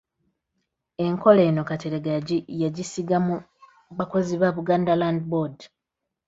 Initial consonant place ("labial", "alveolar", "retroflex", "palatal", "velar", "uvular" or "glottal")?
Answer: velar